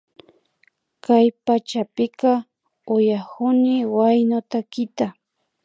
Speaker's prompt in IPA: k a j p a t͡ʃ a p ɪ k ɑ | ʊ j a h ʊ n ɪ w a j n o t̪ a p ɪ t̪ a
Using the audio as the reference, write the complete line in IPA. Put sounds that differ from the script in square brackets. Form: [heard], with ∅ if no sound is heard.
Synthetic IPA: k a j p a t͡ʃ a p ɪ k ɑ | ʊ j a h ʊ n ɪ w a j n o t̪ a [k] ɪ t̪ a